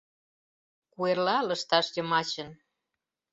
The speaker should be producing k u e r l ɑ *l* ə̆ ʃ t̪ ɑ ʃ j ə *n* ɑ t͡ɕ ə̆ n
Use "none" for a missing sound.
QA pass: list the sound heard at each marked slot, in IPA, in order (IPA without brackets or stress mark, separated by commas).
l, m